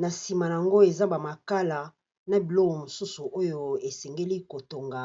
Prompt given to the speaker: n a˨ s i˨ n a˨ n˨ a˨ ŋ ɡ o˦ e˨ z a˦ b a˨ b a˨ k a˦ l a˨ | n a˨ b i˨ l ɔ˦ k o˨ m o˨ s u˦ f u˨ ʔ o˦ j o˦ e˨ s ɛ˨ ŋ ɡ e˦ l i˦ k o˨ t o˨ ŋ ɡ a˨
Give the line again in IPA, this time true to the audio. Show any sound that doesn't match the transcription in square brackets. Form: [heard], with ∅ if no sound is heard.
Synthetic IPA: n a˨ s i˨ [m] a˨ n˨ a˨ ŋ ɡ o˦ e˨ z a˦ b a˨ [m] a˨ k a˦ l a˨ | n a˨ b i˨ l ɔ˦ k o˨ m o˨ s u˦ [s] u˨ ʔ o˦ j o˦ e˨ s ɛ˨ ŋ ɡ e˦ l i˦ k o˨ t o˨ ŋ ɡ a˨